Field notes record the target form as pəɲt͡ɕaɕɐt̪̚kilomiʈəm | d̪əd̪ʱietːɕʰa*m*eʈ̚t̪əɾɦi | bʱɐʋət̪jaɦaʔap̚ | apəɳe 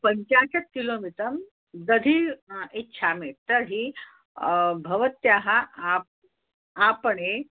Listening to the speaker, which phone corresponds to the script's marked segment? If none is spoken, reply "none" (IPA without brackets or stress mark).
m